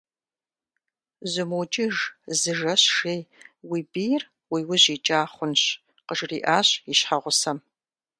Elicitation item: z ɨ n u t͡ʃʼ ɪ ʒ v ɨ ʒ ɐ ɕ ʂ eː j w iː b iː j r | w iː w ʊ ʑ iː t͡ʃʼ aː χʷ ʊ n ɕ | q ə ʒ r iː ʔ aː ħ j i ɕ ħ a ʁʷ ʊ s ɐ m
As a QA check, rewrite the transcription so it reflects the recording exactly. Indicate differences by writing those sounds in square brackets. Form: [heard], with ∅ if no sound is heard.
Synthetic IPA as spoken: z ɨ [m] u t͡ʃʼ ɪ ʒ [z] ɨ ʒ ɐ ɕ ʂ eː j w iː b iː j r | w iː w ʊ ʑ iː t͡ʃʼ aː χʷ ʊ n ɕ | q ə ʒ r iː ʔ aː [ɕ] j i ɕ ħ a ʁʷ ʊ s ɐ m